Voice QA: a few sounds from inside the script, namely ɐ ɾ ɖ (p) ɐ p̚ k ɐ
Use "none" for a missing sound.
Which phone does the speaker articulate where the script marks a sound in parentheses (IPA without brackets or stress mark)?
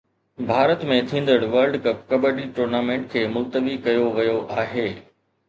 k